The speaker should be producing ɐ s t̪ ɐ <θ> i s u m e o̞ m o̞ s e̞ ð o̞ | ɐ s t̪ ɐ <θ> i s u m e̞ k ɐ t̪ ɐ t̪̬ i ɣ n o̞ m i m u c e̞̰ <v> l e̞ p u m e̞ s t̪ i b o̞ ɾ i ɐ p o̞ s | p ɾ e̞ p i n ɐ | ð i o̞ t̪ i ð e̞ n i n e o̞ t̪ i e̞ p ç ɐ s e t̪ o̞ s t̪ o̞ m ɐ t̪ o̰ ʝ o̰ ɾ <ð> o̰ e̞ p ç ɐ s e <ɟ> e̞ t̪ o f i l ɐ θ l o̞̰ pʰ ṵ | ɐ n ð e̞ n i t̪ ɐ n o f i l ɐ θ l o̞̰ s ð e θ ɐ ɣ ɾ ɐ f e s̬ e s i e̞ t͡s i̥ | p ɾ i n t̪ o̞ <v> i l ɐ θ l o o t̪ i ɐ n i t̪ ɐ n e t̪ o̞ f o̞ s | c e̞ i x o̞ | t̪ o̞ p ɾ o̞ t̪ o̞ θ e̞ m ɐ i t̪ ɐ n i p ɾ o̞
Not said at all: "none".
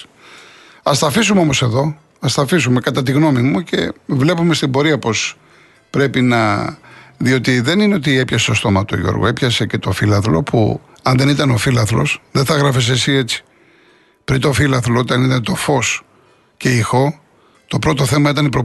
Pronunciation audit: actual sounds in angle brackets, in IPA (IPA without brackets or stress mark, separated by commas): f, f, v, ɣ, c, f